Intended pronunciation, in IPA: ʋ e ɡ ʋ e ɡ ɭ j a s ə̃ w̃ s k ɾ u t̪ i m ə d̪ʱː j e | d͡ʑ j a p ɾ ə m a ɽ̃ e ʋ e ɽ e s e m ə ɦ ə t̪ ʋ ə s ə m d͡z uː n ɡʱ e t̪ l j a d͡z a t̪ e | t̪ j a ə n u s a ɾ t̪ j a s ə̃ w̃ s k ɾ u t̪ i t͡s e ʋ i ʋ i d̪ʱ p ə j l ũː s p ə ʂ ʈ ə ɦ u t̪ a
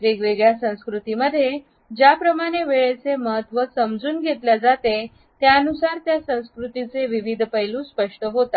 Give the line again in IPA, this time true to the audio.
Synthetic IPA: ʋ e ɡ ʋ e ɡ ɭ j a s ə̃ w̃ s k ɾ u t̪ i m ə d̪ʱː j e | d͡ʑ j a p ɾ ə m a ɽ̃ e ʋ e ɭ e t͡s e m ə ɦ ə t̪ ʋ ə s ə m d͡z uː n ɡʱ e t̪ l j a d͡z a t̪ e | t̪ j a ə n u s a ɾ t̪ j a s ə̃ w̃ s k ɾ u t̪ i t͡s e ʋ i ʋ i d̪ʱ p ə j l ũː s p ə ʂ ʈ ə ɦ o t̪ a